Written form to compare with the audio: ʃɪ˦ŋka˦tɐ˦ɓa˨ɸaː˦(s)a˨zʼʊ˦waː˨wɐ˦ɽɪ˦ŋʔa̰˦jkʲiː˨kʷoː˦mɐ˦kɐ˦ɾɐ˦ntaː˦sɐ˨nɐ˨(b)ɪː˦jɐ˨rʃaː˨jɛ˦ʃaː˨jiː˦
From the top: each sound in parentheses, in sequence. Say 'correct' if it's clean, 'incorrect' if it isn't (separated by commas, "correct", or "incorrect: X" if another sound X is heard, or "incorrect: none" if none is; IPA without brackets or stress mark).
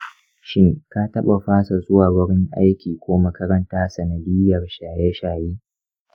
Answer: correct, incorrect: d